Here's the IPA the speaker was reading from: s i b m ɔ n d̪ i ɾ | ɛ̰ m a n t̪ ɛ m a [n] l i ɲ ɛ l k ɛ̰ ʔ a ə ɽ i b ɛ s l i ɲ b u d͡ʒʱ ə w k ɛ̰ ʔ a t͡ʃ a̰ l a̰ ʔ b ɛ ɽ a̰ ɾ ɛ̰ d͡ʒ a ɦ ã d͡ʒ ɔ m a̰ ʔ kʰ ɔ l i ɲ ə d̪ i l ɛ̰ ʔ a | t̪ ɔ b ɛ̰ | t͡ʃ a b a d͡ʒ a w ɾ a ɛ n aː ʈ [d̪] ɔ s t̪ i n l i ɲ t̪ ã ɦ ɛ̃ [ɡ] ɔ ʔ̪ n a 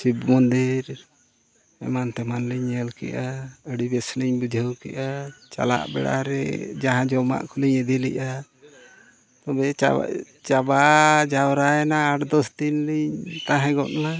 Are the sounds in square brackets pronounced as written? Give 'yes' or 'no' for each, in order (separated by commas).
yes, yes, yes